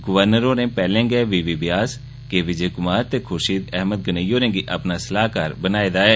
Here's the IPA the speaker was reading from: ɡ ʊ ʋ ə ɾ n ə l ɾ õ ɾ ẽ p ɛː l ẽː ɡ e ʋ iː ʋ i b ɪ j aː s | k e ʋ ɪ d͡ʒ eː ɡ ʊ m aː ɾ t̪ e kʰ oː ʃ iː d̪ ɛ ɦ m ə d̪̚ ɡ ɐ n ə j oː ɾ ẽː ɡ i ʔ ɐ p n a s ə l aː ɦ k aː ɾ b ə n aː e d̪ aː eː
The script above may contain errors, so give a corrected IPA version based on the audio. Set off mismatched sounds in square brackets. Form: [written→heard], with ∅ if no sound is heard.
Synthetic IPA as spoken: ɡ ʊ ʋ ə ɾ n ə [l→∅] ɾ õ ɾ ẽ p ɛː l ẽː ɡ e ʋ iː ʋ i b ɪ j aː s | k e ʋ ɪ d͡ʒ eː [ɡ→k] ʊ m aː ɾ t̪ e kʰ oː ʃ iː d̪ ɛ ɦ m ə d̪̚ ɡ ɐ n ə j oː ɾ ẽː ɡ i ʔ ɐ p n a s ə l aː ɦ k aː ɾ b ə n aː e d̪ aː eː